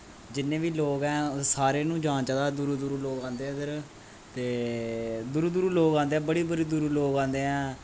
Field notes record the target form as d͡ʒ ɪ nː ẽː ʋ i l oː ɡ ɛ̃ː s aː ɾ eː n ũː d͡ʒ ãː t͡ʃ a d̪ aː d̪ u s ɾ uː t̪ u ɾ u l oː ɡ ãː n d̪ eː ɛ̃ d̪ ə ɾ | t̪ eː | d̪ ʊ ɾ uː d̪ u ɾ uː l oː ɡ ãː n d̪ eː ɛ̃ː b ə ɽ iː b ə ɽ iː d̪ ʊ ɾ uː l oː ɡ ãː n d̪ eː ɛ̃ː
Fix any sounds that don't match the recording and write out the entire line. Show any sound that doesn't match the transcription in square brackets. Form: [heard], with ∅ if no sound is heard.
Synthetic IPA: d͡ʒ ɪ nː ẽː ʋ [iː] l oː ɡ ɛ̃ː s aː ɾ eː n ũː d͡ʒ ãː t͡ʃ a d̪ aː d̪ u [∅] ɾ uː [d̪] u ɾ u l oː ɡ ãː n d̪ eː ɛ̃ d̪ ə ɾ | t̪ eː | d̪ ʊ ɾ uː d̪ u ɾ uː l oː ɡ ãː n d̪ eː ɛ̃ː b ə ɽ iː b ə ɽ iː d̪ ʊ ɾ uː l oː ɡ ãː n d̪ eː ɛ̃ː